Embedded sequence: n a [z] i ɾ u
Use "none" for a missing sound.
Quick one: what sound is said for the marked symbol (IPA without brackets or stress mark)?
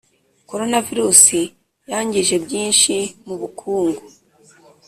v